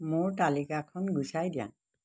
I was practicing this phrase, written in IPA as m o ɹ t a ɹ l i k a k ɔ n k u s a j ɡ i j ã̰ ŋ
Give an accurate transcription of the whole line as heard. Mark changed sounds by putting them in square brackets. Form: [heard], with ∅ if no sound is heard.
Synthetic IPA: m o ɹ t a [∅] l i k a [kʰ] ɔ n [ɡ] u s a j [d] i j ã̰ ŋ